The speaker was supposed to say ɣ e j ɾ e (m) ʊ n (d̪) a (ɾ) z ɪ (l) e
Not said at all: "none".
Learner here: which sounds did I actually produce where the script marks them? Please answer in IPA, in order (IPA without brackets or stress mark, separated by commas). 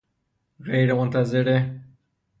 m, t̪, none, ɾ